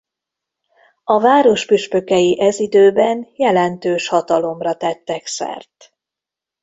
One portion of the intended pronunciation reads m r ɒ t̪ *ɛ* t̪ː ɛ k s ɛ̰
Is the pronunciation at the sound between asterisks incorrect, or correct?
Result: correct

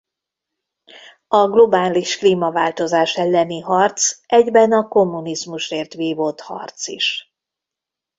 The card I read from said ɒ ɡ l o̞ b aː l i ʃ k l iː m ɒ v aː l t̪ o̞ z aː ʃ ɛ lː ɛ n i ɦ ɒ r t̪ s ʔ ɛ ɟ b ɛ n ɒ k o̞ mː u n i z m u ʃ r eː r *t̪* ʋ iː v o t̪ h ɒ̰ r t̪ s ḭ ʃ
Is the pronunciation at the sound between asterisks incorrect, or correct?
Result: correct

